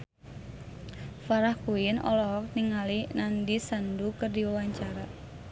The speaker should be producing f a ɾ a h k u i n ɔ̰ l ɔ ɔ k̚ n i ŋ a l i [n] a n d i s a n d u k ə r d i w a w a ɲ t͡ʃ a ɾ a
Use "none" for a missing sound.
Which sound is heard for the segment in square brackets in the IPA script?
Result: n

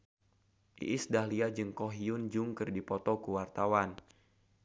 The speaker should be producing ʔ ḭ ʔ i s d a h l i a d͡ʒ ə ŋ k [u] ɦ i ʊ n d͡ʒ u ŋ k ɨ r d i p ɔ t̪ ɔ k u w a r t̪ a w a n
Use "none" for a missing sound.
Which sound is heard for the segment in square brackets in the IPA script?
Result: ɔ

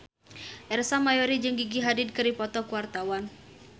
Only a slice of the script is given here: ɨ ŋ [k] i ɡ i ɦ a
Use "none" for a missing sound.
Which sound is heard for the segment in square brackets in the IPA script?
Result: ɡ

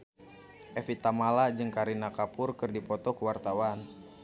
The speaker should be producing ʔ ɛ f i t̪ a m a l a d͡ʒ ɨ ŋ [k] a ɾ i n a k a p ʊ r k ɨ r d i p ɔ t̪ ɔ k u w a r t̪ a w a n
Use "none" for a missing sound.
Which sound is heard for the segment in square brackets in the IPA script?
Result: k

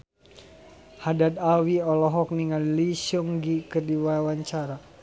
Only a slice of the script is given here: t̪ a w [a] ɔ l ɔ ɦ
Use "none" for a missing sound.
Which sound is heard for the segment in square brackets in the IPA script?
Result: i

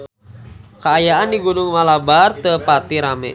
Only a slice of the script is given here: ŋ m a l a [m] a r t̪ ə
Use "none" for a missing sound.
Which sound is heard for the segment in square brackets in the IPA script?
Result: b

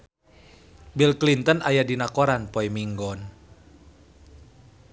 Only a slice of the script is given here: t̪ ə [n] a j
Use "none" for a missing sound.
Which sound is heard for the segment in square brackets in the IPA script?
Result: n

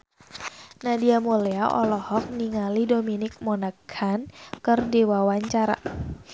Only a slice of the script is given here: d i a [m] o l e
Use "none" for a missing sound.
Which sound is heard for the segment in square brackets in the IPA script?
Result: m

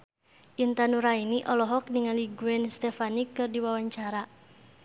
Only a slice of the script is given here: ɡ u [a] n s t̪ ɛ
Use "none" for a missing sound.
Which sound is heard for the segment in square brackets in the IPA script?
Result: ɛ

